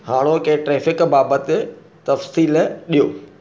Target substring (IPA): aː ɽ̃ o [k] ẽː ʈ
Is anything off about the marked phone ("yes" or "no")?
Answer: no